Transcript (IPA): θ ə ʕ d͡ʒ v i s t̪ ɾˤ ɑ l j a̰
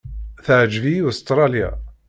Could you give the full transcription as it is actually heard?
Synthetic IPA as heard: θ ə ʕ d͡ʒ v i s t̪ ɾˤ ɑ l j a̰